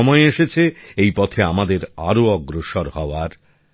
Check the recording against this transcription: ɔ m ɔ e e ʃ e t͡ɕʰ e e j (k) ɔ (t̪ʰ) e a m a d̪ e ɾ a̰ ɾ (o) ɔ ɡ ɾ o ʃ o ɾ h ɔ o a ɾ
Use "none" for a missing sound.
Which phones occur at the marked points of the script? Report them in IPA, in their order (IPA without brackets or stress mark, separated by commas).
p, t̪ʰ, o